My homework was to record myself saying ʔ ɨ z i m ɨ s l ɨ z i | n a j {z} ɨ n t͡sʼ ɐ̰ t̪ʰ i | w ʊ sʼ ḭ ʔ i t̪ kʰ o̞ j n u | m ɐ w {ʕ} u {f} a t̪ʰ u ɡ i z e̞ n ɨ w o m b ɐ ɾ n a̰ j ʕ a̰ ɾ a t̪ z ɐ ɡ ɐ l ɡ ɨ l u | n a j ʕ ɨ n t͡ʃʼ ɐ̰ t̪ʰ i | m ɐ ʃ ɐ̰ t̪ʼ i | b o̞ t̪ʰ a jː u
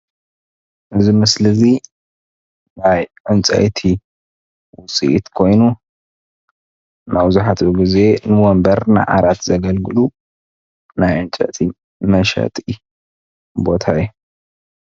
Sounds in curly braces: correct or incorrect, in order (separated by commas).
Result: incorrect, incorrect, incorrect